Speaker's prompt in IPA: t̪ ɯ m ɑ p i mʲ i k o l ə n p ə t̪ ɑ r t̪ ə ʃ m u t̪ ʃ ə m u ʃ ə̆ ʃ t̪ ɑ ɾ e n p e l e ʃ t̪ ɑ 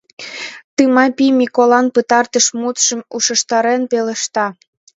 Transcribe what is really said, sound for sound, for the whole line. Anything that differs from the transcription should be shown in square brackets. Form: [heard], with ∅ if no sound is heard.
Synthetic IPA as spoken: t̪ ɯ m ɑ p i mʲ i k o l [ɑ] n p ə t̪ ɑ r t̪ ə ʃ m u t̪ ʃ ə m u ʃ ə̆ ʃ t̪ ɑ ɾ e n p e l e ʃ t̪ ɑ